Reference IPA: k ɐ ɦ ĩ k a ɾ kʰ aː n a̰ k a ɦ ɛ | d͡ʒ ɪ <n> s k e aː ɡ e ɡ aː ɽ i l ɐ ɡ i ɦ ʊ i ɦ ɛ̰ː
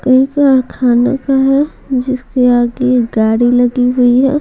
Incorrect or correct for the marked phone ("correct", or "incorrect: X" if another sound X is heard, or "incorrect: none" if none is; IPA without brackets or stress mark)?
incorrect: none